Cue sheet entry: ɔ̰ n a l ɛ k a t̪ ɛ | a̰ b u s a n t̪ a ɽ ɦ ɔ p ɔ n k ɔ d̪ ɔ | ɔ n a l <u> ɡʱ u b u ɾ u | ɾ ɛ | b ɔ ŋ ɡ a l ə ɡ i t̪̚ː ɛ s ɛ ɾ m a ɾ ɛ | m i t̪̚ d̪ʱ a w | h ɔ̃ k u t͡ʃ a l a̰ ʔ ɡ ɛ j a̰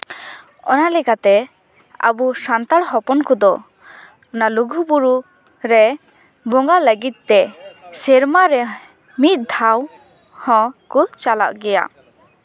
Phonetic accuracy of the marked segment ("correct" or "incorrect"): correct